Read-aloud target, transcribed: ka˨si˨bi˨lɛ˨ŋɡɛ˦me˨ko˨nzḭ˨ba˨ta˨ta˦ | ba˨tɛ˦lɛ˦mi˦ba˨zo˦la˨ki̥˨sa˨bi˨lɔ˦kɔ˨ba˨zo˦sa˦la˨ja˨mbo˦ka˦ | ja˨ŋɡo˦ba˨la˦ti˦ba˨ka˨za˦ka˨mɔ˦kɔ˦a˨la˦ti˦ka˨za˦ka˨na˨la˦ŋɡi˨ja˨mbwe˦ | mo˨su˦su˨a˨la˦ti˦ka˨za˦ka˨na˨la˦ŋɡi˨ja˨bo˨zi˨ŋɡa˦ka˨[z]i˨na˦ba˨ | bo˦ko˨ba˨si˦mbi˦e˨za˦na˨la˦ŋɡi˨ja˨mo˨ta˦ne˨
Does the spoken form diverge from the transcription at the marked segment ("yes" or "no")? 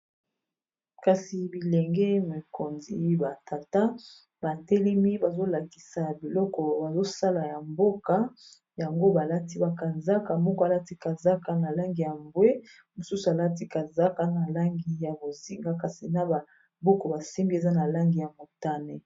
yes